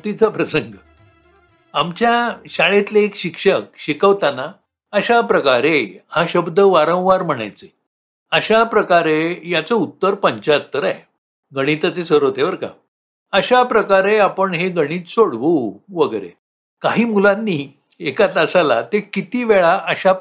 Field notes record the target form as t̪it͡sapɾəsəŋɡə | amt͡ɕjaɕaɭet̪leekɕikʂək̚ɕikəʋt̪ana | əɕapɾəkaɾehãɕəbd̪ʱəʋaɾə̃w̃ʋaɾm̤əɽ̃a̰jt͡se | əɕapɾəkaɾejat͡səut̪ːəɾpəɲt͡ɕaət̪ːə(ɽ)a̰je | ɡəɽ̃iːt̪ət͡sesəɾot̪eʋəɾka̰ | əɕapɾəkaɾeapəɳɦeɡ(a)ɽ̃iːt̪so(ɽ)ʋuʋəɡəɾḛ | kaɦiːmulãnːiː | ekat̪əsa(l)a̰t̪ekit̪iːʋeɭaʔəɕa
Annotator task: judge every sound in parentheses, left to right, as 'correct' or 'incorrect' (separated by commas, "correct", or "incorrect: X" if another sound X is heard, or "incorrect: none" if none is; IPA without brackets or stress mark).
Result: incorrect: ɾ, incorrect: ə, correct, correct